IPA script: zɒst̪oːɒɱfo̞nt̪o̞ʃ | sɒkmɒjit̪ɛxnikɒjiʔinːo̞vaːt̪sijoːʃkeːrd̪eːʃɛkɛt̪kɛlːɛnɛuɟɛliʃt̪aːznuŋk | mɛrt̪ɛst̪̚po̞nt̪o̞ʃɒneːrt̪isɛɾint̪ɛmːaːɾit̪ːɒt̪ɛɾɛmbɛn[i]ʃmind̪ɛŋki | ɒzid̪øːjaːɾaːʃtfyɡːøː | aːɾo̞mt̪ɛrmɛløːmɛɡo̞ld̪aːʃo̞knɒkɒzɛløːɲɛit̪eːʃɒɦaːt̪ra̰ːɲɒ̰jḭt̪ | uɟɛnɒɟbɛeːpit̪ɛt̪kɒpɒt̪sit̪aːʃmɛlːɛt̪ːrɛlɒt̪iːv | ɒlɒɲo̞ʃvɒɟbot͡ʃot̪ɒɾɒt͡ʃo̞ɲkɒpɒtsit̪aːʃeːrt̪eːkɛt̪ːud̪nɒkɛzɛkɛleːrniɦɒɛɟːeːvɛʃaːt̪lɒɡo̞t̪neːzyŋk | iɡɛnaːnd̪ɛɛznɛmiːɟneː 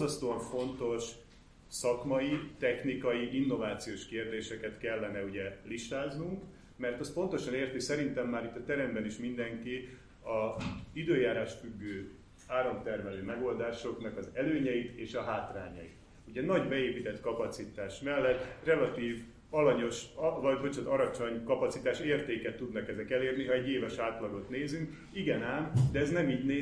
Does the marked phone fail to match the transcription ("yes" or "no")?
no